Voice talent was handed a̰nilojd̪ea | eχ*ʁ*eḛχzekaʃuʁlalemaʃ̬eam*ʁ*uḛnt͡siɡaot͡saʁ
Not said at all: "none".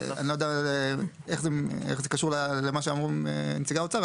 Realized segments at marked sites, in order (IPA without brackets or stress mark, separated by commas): z, ʁ